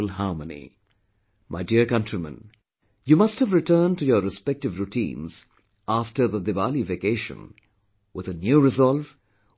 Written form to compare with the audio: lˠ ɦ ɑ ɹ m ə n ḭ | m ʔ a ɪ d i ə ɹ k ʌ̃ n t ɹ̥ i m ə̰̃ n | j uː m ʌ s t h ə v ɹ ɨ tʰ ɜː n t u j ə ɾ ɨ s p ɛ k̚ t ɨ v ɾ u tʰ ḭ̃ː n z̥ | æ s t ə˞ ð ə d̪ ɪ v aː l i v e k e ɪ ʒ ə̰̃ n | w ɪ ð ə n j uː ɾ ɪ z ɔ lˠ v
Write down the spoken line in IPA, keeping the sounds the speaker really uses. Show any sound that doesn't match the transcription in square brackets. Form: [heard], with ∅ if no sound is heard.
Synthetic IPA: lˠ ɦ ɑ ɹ m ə n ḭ | m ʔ a ɪ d i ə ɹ k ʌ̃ n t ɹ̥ i m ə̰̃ n | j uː m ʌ s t h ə v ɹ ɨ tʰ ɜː n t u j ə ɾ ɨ s p ɛ k̚ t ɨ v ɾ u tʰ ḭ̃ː n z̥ | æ [f] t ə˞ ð ə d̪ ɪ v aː l i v e k e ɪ [ʃ] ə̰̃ n | w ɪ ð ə n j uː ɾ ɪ z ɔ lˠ v